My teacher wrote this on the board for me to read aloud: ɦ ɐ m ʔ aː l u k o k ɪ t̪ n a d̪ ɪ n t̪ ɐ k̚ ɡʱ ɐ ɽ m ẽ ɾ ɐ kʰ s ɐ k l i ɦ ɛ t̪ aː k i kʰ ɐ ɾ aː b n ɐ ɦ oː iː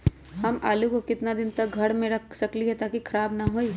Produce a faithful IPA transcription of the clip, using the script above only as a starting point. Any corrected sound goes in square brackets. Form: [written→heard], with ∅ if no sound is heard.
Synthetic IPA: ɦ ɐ m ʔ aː l u k o k ɪ t̪ n a d̪ ɪ n t̪ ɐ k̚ ɡʱ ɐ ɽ m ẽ ɾ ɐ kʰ s ɐ k l i ɦ ɛ t̪ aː k i kʰ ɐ ɾ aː b n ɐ ɦ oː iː